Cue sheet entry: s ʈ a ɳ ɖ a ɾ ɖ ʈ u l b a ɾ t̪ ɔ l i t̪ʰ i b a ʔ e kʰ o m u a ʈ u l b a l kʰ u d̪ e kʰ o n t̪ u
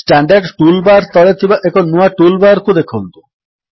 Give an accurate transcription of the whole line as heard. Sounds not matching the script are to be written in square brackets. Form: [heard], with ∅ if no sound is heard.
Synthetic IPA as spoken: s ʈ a ɳ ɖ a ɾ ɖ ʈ u l b a ɾ t̪ ɔ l [e] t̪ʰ i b a ʔ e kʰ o [n] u a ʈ u l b a [ɾ] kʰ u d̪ e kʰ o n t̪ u